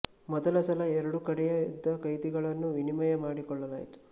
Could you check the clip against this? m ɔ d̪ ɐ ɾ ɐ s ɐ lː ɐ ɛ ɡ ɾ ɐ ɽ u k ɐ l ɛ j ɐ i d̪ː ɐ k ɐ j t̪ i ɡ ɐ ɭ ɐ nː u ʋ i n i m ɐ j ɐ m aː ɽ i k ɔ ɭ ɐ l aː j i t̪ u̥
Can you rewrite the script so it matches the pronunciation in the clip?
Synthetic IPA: m ɔ d̪ ɐ l ɐ s ɐ l ɐ ɛ ɾ ɐ ɽ u k ɐ ɽ ɛ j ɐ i d̪ː ɐ k ɐ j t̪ i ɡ ɐ ɭ ɐ nː u ʋ i n i m ɐ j ɐ m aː ɽ i k ɔ ɭː ɐ l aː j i t̪ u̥

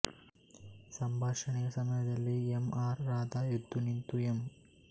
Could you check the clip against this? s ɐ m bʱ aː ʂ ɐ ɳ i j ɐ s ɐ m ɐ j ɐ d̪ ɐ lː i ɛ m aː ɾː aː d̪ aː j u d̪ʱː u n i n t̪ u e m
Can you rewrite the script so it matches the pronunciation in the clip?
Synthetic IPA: s ɐ m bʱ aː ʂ ɐ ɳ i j ɐ s ɐ m ɐ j ɐ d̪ ɐ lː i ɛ m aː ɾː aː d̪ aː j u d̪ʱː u n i n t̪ u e m

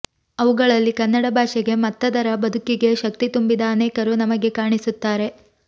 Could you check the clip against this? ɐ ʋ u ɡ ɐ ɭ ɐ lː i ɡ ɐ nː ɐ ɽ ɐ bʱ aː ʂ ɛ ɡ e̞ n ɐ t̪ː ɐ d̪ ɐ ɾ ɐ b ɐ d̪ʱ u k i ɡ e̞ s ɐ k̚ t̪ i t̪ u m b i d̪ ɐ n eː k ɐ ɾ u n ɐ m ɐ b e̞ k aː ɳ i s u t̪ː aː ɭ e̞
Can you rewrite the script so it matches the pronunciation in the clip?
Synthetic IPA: ɐ ʋ u ɡ ɐ ɭ ɐ lː i k ɐ nː ɐ ɽ ɐ bʱ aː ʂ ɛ ɡ e̞ m ɐ t̪ː ɐ d̪ ɐ ɾ ɐ b ɐ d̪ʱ u k i ɡ e̞ ʃ ɐ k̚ t̪ i t̪ u m b i d̪ ɐː n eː k ɐ ɾ u n ɐ m ɐ ɡ e̞ k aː ɳ i s u t̪ː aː ɾ e̞

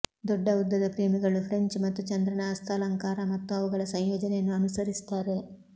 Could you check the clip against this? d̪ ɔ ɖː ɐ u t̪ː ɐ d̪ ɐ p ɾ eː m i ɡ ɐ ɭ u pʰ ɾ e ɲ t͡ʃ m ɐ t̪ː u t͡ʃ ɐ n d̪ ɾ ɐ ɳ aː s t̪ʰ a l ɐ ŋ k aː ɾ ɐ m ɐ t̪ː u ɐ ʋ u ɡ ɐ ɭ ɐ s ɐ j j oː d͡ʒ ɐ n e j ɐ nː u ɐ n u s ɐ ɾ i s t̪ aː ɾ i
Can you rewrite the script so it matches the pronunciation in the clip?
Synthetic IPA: d̪ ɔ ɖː ɐ u d̪ː ɐ d̪ ɐ p ɾ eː m i ɡ ɐ ɭ u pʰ ɾ e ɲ t͡ʃ m ɐ t̪ː u t͡ʃ ɐ n d̪ ɾ ɐ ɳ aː s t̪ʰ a l ɐ ŋ k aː ɾ ɐ m ɐ t̪ː u ɐ ʋ u ɡ ɐ ɭ ɐ s ɐ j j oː d͡ʒ ɐ n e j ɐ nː u ɐ n u s ɐ ɾ i s t̪ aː ɾ e

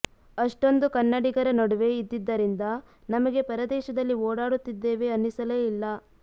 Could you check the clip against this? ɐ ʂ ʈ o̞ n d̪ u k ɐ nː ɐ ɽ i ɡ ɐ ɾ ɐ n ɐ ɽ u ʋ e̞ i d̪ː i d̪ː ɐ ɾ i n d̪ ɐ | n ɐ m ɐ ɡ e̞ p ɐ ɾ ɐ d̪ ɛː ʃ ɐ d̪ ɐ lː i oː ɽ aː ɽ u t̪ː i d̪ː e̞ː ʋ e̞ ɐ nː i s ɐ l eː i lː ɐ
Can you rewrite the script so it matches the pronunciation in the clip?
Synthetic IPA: ɐ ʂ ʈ o̞ n d̪ u k ɐ nː ɐ ɽ i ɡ ɐ ɾ ɐ n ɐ ɽ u ʋ e̞ i d̪ː i d̪ː ɐ ɾ i n d̪ ɐ | n ɐ m ɐ ɡ e̞ p ɐ ɾ ɐ d̪ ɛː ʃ ɐ d̪ ɐ lː i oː ɽ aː ɽ u t̪ː i d̪ː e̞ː ʋ e̞ ɐ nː i s ɐ l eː i lː ɐ

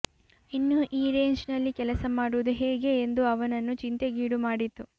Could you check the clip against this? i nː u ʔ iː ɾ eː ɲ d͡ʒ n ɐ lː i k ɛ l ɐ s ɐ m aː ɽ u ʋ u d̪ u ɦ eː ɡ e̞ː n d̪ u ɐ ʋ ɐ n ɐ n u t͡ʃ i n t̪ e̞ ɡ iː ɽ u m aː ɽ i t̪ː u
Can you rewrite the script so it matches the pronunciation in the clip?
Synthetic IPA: i nː u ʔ iː ɾ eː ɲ d͡ʒ n ɐ lː i k ɛ l ɐ s ɐ m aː ɽ u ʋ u d̪ u ɦ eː ɡ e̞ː n d̪ u ɐ ʋ ɐ n ɐ nː u t͡ʃ i n t̪ e̞ ɡ iː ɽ u m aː ɽ i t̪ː u

